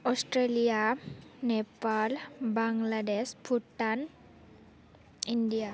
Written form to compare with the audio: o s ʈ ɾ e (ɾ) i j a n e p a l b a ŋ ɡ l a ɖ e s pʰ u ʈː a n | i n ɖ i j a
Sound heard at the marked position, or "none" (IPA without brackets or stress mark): l